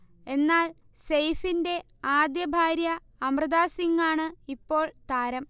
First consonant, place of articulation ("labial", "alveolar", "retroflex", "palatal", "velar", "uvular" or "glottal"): alveolar